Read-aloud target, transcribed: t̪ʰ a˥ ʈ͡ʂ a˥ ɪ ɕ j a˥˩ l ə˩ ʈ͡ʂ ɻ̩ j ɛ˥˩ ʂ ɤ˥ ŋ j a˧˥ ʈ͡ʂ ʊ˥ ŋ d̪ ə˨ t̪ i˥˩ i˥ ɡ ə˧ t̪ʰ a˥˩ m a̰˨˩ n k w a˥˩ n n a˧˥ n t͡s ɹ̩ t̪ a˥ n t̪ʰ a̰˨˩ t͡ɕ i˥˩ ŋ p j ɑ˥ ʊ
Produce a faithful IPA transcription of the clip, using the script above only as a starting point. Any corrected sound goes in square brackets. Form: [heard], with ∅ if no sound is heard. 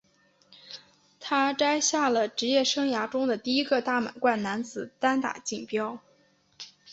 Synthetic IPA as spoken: t̪ʰ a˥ ʈ͡ʂ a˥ ɪ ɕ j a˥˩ l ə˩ ʈ͡ʂ ɻ̩ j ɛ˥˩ ʂ ɤ˥ ŋ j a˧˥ ʈ͡ʂ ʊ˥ ŋ d̪ ə˨ t̪ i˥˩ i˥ ɡ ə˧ [t̪] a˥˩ m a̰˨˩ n k w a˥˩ n n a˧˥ n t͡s ɹ̩ t̪ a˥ n [t̪] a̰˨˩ t͡ɕ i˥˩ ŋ p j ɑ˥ ʊ